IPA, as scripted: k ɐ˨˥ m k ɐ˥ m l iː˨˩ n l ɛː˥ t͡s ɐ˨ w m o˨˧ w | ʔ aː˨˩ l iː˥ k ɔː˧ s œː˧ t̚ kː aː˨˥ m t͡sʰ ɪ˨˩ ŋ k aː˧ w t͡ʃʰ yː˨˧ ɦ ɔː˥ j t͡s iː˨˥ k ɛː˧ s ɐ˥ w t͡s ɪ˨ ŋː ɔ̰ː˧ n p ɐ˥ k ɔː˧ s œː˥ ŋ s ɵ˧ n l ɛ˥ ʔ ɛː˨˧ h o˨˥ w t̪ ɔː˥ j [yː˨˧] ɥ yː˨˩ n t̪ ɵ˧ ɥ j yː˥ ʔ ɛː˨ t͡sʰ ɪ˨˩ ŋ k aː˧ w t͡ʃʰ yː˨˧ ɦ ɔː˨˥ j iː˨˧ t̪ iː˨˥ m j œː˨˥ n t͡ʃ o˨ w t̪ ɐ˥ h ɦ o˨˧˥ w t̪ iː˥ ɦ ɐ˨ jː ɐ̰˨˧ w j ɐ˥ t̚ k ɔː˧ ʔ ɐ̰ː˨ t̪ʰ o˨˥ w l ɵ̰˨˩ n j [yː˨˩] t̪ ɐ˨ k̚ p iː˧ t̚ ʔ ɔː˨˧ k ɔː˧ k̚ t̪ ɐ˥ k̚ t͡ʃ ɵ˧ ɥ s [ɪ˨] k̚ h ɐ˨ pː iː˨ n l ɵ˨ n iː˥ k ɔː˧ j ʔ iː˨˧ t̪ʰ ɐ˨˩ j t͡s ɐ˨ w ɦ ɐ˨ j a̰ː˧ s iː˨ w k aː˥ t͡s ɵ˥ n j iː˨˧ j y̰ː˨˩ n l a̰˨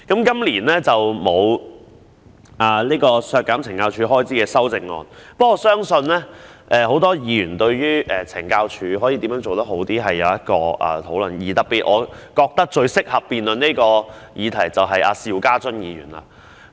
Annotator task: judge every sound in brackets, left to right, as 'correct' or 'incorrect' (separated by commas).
incorrect, incorrect, incorrect